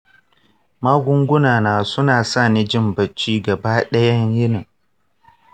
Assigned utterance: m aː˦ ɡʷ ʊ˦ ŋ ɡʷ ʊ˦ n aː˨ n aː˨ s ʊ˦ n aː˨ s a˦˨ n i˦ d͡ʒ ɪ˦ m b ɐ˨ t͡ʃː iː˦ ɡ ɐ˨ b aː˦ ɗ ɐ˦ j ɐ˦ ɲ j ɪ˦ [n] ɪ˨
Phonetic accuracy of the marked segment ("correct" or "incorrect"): correct